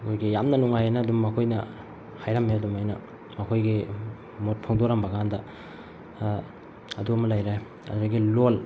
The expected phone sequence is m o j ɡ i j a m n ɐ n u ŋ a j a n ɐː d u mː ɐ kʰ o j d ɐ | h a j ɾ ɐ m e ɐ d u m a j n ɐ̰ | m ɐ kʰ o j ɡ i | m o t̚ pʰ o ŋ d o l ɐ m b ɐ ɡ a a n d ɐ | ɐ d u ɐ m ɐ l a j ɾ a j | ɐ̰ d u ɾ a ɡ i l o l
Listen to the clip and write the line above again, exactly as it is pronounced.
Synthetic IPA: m o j ɡ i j a m n ɐ n u ŋ a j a n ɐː d u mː ɐ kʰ o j n ɐ | h a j ɾ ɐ m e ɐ d u m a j n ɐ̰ | m ɐ kʰ o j ɡ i | m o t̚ pʰ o ŋ d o ɾ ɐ m b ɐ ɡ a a n d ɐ | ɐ d u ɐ m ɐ l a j ɾ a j | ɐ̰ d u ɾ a ɡ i l o l